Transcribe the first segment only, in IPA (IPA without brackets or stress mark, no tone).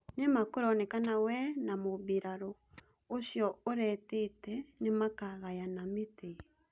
n